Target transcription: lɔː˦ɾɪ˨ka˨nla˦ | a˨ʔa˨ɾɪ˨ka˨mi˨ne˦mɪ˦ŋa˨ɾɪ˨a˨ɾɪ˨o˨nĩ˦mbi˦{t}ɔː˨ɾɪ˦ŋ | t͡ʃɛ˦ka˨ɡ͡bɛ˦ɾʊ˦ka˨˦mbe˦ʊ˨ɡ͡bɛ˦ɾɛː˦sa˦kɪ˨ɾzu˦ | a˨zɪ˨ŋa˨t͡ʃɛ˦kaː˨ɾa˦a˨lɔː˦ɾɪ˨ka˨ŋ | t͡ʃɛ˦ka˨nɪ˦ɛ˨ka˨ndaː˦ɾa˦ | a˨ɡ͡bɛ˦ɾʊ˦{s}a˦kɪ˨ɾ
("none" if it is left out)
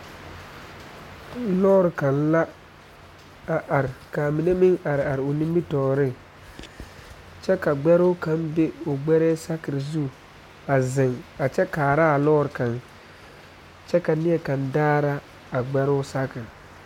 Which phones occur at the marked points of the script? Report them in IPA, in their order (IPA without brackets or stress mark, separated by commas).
t, s